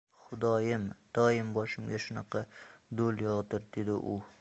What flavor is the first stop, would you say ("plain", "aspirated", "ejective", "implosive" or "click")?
plain